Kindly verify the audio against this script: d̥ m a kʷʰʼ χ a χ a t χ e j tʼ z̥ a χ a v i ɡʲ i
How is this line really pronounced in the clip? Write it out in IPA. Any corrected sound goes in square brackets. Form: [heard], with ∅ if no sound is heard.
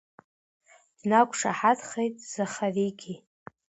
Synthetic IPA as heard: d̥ [n] a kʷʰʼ [ʂ] a [ħ] a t χ e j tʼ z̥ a χ a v i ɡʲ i